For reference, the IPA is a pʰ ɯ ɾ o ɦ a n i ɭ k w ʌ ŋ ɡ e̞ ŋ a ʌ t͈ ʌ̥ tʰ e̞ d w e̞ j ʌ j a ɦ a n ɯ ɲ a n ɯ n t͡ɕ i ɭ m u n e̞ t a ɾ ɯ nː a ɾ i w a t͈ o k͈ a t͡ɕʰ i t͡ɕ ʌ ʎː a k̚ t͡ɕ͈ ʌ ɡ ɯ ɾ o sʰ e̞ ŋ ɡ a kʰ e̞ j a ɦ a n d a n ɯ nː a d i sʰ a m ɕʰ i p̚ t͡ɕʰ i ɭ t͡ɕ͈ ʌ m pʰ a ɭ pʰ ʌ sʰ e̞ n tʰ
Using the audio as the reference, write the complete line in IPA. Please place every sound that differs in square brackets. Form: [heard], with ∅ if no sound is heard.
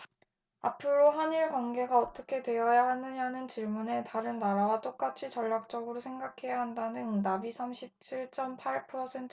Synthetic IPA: a pʰ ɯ ɾ o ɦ a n i ɭ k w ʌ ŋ ɡ e̞ [ɡ] a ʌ t͈ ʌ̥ [kʰ] e̞ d w e̞ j ʌ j a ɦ a n ɯ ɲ a n ɯ n t͡ɕ i ɭ m u n e̞ t a ɾ ɯ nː a ɾ [a] w a t͈ o k͈ a t͡ɕʰ i t͡ɕ ʌ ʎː a k̚ t͡ɕ͈ ʌ ɡ ɯ ɾ o sʰ e̞ ŋ ɡ a kʰ e̞ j a ɦ a n d a n ɯ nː a [b] i sʰ a m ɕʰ i p̚ t͡ɕʰ i ɭ t͡ɕ͈ ʌ m pʰ a ɭ pʰ ʌ sʰ e̞ n tʰ